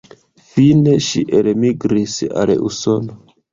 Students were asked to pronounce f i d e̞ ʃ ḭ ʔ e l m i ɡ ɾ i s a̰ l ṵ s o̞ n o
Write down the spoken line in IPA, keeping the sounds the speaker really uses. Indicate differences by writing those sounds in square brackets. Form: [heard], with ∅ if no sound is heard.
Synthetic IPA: f i [n] e̞ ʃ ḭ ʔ e l m i ɡ ɾ i s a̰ l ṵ s o̞ n o